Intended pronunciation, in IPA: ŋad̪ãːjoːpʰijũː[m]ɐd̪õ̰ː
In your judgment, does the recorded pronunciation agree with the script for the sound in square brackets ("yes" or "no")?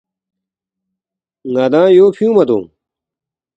yes